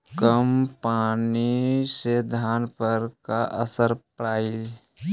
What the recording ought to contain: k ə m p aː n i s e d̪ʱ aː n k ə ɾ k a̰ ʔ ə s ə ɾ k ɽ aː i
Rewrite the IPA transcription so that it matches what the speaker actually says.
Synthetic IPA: k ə m p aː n i s e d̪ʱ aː n p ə ɾ k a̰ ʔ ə s ə ɾ p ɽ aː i